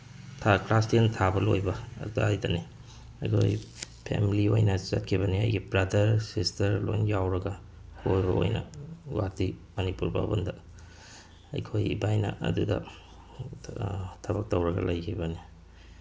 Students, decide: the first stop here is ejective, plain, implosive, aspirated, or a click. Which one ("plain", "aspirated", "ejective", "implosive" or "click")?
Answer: aspirated